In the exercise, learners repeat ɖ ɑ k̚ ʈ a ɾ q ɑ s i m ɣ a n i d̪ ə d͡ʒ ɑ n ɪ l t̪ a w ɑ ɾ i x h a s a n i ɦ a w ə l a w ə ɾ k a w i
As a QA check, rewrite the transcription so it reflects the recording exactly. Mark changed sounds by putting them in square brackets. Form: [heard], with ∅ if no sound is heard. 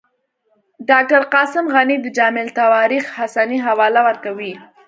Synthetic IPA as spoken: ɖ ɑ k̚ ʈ a ɾ q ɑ s [ɪ] m ɣ a n i d̪ ə d͡ʒ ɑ [m] ɪ l t̪ a w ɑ ɾ i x h a s a n i ɦ a w [ɑ] l a w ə ɾ k a w i